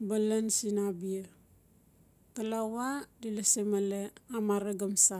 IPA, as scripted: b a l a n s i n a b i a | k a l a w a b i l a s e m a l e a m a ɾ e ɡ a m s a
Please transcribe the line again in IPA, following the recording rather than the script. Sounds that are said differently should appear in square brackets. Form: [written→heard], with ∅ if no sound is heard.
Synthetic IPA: b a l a n s i n a b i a | k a l a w a [b→d] i l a s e m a l e a m a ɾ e ɡ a m s a